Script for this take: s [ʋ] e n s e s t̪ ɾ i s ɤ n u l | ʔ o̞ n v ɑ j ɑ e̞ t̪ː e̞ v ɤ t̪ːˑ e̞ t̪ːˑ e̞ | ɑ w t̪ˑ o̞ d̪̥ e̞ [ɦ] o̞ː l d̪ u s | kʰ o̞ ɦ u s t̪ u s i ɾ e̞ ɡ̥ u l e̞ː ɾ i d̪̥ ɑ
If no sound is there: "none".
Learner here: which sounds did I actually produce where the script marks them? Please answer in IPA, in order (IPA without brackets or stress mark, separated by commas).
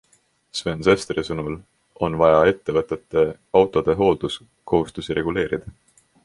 v, ɦ